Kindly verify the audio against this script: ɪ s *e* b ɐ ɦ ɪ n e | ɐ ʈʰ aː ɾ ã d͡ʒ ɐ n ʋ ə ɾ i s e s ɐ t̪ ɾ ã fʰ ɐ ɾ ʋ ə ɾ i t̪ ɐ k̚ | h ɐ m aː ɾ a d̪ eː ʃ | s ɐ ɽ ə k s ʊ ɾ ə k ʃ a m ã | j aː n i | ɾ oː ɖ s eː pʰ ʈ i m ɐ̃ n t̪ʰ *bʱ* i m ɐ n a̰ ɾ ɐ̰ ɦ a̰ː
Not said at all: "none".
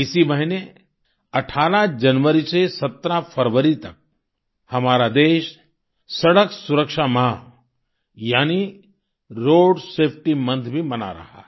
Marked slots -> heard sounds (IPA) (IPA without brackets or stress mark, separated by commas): i, bʱ